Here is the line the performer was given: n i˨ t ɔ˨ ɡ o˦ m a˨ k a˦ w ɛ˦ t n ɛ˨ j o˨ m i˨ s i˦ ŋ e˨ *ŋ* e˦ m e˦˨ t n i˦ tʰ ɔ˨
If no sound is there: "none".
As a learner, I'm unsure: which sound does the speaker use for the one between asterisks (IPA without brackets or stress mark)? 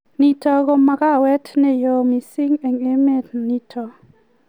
ŋ